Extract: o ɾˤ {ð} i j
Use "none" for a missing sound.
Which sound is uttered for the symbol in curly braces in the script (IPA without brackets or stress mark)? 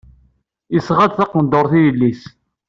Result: θ